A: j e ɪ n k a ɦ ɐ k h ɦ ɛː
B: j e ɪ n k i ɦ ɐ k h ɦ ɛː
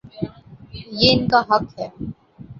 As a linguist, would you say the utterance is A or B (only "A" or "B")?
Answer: A